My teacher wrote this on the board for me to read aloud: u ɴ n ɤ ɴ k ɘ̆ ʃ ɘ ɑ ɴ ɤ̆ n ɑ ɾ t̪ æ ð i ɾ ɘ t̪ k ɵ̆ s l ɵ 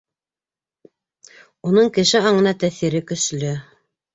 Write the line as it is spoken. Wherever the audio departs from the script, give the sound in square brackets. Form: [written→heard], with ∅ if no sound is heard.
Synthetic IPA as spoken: u [ɴ→∅] n ɤ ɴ k ɘ̆ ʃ ɘ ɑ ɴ ɤ̆ n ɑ [ɾ→∅] t̪ æ [ð→θ] i ɾ ɘ [t̪→∅] k ɵ̆ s l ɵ